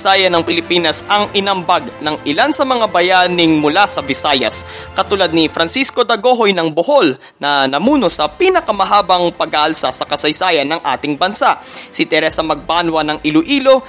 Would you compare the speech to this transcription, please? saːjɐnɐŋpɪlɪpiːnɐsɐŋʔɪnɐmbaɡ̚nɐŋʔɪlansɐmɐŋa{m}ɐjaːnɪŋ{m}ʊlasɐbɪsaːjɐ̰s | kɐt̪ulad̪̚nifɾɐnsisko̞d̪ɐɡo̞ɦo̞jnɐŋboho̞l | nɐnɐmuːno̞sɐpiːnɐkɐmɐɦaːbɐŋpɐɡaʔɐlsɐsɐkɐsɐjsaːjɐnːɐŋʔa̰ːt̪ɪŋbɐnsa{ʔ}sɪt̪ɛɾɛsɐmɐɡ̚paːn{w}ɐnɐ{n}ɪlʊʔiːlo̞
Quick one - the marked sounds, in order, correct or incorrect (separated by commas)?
incorrect, correct, correct, correct, incorrect